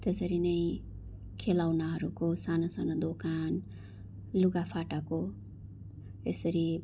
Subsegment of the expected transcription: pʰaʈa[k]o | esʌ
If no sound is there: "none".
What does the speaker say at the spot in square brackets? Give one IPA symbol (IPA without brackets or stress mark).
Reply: k